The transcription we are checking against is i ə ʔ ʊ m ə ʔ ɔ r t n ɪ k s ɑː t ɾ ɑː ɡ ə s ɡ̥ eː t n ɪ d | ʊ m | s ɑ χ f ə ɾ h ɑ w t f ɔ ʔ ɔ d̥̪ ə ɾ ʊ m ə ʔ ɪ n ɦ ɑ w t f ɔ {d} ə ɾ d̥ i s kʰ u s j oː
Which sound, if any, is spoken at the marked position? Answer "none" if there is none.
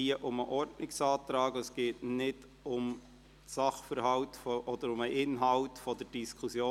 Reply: d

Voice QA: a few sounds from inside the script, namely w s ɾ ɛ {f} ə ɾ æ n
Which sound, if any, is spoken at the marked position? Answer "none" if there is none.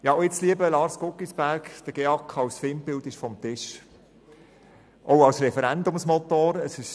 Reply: f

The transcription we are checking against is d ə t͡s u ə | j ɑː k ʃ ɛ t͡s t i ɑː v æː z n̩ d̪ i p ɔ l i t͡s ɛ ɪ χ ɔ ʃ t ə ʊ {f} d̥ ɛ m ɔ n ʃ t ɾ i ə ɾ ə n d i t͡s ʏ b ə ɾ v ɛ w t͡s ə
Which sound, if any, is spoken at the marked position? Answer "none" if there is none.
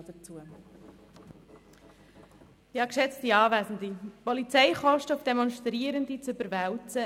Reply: f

